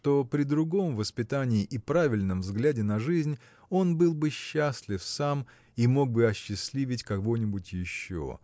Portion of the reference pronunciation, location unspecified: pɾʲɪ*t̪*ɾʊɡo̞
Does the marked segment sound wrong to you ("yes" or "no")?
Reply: yes